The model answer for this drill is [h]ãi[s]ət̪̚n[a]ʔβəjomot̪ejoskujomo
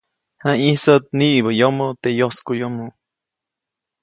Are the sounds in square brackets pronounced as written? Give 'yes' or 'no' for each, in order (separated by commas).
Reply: yes, yes, no